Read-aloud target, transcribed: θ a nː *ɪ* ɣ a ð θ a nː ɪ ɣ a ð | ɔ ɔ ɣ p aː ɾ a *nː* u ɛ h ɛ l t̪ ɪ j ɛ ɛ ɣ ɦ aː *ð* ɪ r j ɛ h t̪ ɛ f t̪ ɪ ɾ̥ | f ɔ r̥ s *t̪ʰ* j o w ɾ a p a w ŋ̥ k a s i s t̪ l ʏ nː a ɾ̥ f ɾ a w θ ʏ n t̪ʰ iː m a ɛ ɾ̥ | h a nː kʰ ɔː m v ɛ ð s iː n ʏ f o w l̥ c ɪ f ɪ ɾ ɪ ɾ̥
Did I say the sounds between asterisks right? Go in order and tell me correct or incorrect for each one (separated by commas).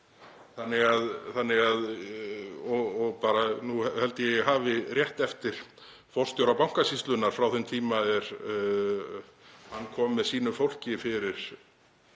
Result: correct, incorrect, incorrect, incorrect